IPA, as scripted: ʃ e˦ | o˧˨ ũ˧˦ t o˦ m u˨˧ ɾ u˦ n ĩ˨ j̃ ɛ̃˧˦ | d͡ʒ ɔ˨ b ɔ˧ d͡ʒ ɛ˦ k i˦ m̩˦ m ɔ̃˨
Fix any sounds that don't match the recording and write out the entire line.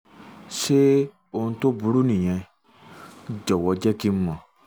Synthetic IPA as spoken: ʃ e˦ | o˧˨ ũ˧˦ t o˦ b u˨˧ ɾ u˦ n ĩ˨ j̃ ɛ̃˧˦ | d͡ʒ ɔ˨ w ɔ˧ d͡ʒ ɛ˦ k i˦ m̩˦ m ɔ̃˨